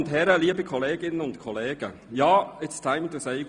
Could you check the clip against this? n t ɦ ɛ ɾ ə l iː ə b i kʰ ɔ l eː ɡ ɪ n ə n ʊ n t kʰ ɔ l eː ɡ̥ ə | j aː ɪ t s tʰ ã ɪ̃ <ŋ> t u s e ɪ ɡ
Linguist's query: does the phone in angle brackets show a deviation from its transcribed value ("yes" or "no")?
yes